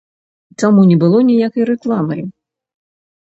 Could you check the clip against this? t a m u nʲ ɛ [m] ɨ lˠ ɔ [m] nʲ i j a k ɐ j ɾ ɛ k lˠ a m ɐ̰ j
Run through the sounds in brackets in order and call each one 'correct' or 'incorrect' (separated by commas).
incorrect, incorrect